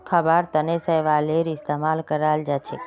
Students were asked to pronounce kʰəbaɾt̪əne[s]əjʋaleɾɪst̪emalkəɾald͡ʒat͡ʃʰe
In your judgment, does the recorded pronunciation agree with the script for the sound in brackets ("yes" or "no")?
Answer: yes